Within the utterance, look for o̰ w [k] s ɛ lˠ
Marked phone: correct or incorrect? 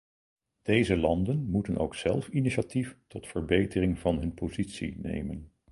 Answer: correct